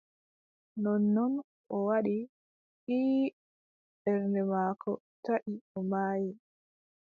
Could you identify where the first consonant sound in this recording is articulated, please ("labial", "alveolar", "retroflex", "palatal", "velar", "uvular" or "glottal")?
alveolar